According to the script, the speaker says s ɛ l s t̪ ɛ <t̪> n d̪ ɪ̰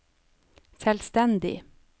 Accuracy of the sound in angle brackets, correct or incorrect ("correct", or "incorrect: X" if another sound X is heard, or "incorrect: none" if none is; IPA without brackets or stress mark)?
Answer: incorrect: none